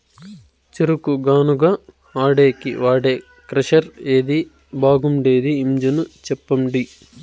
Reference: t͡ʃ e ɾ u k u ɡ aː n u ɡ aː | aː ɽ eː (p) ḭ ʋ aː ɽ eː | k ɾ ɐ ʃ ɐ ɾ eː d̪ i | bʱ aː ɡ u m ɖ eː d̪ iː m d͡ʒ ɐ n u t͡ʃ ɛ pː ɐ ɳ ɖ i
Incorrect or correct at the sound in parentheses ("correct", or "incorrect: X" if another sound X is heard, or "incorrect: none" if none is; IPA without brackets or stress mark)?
incorrect: k